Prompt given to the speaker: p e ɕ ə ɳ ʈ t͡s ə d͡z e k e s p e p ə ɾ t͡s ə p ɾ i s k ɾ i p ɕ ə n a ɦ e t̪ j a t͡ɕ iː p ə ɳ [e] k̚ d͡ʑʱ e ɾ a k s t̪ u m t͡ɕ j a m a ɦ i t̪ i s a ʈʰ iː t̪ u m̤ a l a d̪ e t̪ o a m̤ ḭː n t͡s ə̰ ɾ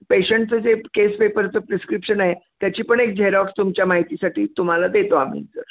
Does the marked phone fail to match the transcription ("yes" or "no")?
no